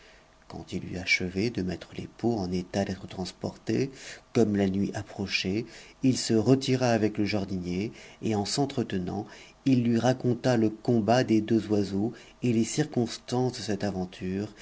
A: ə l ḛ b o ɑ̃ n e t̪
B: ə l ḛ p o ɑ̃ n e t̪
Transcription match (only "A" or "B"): B